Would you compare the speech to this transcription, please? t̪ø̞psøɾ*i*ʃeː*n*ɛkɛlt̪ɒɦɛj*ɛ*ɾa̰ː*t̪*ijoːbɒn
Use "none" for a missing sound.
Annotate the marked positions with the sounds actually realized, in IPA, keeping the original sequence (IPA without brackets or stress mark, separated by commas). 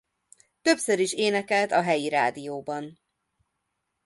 i, n, i, d̪